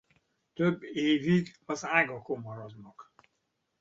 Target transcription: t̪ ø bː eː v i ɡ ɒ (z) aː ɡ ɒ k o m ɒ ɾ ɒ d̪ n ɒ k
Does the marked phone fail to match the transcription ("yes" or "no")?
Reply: no